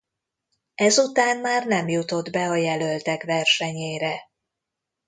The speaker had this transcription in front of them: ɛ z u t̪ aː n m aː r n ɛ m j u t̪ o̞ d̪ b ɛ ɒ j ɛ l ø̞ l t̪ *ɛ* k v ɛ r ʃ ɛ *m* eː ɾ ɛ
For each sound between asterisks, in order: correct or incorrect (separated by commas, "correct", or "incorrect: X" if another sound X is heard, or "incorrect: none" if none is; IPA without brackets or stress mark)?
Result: correct, incorrect: ɲ